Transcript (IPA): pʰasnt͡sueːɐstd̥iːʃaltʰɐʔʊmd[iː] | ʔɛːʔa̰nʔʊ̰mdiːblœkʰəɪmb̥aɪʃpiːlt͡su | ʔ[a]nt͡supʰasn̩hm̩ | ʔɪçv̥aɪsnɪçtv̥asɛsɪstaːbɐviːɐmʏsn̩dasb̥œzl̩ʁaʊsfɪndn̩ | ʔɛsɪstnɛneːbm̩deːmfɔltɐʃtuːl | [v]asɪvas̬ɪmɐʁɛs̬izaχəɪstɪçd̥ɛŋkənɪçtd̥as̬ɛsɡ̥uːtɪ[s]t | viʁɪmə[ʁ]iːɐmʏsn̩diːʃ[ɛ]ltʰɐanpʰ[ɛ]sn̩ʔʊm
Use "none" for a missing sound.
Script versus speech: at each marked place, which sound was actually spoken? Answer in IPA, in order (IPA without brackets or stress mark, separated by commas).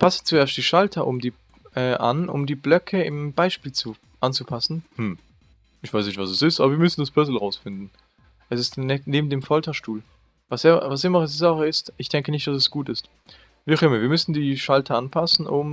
iː, a, v, s, v, a, a